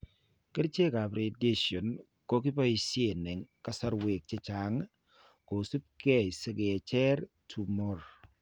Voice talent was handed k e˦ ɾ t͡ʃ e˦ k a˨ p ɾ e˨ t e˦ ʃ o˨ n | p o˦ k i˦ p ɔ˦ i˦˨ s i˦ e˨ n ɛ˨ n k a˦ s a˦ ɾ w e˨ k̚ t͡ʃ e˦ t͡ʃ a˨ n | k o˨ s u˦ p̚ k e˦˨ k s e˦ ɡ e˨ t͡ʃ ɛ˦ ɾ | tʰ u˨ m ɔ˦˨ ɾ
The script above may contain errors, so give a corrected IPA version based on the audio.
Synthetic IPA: k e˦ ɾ t͡ʃ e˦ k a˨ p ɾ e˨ d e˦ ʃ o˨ n | k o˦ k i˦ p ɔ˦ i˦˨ s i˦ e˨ n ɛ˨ ŋ k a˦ s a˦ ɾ w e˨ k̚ t͡ʃ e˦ t͡ʃ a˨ ŋ | k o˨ s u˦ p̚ k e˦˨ s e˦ ɡ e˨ t͡ʃ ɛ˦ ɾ | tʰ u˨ m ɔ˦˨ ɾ